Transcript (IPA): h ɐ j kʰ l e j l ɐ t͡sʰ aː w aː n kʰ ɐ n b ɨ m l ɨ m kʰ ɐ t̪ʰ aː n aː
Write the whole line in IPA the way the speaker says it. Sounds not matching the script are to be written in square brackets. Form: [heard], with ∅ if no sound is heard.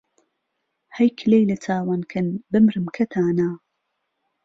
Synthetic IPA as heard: h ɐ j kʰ l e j l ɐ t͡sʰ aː w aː n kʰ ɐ n b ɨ m [ɾ] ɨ m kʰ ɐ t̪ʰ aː n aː